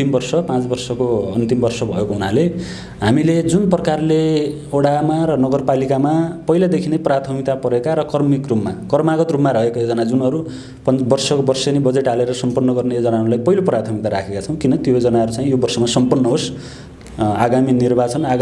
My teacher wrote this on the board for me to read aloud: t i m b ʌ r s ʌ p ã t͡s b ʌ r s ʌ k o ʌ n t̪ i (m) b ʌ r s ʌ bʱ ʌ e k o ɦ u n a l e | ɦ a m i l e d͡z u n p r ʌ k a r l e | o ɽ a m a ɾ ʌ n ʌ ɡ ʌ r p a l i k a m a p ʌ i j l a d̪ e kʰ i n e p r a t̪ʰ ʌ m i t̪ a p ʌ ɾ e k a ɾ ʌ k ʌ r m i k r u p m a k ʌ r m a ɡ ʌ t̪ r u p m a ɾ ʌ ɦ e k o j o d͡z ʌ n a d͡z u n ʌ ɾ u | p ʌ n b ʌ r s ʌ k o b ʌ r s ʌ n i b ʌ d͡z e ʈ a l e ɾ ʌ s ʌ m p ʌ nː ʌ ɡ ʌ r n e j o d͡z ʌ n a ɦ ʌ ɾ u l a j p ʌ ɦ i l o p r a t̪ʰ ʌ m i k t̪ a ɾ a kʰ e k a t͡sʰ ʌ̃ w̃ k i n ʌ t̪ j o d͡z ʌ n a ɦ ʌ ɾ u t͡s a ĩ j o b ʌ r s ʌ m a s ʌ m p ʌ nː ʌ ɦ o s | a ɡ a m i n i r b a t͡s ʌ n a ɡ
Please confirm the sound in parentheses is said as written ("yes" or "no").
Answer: yes